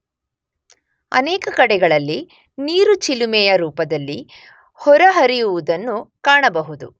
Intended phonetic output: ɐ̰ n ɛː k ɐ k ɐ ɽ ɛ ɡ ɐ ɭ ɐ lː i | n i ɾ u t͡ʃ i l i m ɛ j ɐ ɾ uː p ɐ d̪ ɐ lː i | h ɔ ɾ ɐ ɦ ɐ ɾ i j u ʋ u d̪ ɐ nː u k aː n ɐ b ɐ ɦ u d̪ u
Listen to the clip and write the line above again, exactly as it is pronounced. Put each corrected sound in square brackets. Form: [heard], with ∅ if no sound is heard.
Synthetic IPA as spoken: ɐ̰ n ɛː k ɐ k ɐ ɽ ɛ ɡ ɐ ɭ ɐ lː i | n [iː] ɾ u t͡ʃ i l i m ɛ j ɐ ɾ uː p ɐ d̪ ɐ lː i | h ɔ ɾ ɐ ɦ ɐ ɾ i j u ʋ u d̪ ɐ nː u k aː [ɳ] ɐ b ɐ ɦ u d̪ u